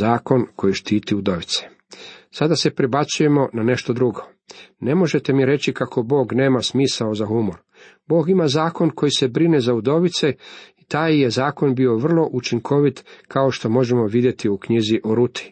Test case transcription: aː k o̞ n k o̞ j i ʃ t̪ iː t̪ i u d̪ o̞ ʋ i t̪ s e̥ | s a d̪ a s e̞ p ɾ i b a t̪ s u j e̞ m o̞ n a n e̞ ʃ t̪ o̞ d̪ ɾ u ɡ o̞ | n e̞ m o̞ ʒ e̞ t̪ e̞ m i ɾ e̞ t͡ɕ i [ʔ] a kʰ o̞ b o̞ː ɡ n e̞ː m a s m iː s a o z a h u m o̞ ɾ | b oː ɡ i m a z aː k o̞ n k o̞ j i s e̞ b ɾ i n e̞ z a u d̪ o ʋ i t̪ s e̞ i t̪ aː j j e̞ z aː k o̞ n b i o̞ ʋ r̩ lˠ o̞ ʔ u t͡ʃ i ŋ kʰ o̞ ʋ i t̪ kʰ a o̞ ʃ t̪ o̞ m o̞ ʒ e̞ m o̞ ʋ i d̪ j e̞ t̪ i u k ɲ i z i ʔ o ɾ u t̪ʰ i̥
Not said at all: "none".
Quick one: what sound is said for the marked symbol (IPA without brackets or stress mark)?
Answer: k